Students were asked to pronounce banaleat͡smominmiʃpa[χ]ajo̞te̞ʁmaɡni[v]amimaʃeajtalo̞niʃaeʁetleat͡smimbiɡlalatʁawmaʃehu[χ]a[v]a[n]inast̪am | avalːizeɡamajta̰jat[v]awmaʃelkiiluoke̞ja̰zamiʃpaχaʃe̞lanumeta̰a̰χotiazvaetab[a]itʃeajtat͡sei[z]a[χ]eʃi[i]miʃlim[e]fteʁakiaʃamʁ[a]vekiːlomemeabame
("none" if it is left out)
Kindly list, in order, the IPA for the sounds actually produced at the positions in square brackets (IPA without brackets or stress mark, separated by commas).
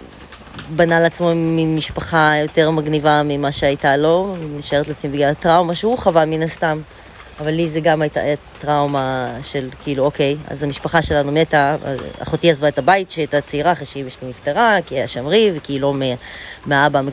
χ, v, χ, v, m, ʁ, a, ʁ, χ, i, i, i